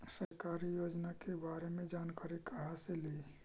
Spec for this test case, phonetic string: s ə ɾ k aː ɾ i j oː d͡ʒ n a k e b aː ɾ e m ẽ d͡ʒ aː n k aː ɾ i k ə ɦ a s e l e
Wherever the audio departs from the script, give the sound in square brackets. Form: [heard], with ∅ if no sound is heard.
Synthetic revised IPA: s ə ɾ k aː ɾ i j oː d͡ʒ n a k e b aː ɾ e m ẽ d͡ʒ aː n k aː ɾ i k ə ɦ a s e l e